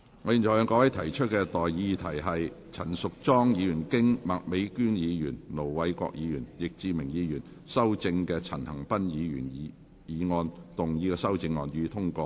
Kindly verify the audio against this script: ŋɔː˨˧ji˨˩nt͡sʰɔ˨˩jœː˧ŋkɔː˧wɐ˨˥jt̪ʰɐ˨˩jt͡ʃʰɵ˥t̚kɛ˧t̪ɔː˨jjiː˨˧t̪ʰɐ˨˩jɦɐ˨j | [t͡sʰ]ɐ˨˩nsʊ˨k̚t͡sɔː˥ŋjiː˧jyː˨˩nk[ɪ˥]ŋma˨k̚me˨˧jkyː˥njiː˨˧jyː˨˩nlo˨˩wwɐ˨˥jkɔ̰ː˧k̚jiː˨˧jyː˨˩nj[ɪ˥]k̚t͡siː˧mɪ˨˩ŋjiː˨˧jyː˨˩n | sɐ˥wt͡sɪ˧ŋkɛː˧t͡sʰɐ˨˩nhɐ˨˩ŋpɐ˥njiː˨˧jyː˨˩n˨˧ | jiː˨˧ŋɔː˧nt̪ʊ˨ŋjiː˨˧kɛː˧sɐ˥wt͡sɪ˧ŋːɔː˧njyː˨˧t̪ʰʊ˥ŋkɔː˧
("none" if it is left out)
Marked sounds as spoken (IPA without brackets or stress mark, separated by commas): t͡sʰ, ɪ˥, ɪ˨